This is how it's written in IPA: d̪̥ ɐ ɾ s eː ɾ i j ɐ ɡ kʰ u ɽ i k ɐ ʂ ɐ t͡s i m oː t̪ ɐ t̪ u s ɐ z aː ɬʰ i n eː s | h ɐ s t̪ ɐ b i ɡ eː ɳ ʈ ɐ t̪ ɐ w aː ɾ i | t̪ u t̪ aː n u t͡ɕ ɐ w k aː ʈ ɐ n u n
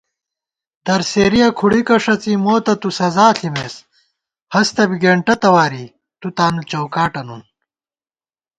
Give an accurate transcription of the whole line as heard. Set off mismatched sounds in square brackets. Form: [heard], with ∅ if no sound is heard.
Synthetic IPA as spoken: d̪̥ ɐ ɾ s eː ɾ i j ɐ [∅] kʰ u ɽ i k ɐ ʂ ɐ t͡s i m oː t̪ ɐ t̪ u s ɐ z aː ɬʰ i [m] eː s | h ɐ s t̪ ɐ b i ɡ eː ɳ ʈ ɐ t̪ ɐ w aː ɾ i | t̪ u t̪ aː n u t͡ɕ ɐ w k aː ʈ ɐ n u n

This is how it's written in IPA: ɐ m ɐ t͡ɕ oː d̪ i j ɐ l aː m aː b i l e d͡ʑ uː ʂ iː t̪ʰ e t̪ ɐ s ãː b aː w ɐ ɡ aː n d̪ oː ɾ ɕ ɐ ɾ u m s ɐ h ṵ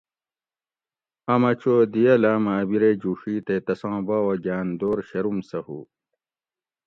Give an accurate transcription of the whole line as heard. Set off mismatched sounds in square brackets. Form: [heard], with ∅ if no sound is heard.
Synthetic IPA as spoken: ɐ m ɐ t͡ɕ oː d̪ i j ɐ l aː m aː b i [ɾ] e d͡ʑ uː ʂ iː [t̪] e t̪ ɐ s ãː b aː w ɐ ɡ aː n d̪ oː ɾ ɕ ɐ ɾ u m s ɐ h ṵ

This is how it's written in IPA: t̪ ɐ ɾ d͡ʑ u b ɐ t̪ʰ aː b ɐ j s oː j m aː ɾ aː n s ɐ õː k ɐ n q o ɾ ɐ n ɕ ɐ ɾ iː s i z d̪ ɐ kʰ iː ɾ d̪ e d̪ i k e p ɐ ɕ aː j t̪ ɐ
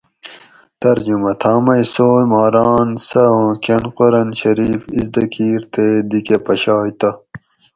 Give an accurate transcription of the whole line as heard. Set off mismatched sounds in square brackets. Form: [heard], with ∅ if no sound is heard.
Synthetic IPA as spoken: t̪ ɐ ɾ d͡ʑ u [m] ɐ t̪ʰ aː [m] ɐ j s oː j m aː ɾ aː n s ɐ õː k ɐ n q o ɾ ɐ n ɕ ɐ ɾ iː [f] i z d̪ ɐ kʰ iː ɾ [t̪] e d̪ i k e p ɐ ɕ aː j t̪ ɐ

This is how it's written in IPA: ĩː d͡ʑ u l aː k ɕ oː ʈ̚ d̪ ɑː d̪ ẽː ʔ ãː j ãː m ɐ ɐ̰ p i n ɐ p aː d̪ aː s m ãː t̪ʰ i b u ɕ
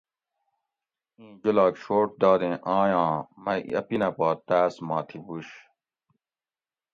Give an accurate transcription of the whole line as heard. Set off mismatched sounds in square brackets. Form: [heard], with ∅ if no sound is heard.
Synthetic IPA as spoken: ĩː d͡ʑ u l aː k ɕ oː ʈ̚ d̪ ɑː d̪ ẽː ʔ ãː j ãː m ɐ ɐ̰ p i n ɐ p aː [t̪] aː s m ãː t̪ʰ i b u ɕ

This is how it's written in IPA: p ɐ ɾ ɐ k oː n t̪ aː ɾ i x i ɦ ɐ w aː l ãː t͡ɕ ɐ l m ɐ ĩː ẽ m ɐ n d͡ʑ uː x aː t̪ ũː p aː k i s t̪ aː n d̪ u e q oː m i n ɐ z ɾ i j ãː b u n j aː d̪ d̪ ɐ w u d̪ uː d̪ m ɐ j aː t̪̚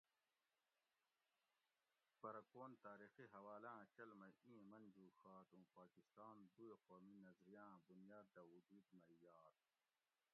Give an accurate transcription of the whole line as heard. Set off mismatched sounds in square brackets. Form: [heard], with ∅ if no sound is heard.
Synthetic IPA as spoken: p ɐ ɾ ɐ k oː n t̪ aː ɾ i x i ɦ ɐ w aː l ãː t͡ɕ ɐ l m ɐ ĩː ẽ m ɐ n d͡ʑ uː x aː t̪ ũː p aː k i s t̪ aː n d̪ u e q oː m i n ɐ z ɾ i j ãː b u n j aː d̪ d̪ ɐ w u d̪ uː d̪ m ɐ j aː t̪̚

